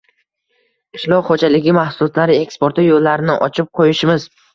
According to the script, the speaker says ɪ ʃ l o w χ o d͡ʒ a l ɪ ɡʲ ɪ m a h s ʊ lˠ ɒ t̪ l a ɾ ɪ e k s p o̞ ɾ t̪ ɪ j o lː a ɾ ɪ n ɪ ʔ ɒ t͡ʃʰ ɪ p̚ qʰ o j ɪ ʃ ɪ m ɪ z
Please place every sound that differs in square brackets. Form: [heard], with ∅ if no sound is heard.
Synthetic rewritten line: ɪ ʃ l [ɒ] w χ o d͡ʒ a l ɪ ɡʲ ɪ m a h s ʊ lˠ ɒ t̪ l a ɾ ɪ e k s p o̞ ɾ t̪ ɪ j o lː a ɾ ɪ n ɪ ʔ ɒ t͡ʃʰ ɪ p̚ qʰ o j ɪ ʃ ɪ m ɪ z